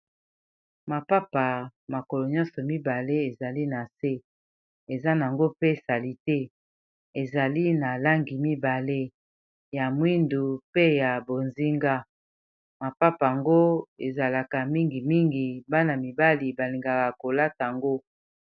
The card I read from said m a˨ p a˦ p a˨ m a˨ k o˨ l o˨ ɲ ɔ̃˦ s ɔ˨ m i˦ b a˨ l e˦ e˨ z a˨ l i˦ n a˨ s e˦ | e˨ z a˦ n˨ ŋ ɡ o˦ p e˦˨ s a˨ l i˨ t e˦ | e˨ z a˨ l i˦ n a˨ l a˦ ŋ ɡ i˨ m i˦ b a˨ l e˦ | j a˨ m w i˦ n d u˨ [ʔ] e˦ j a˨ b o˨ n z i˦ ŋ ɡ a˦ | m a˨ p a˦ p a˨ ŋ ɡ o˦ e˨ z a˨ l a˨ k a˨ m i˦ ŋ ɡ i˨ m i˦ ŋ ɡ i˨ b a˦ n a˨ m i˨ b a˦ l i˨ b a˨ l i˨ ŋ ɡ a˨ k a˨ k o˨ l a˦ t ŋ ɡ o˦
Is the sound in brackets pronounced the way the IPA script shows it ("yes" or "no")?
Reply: no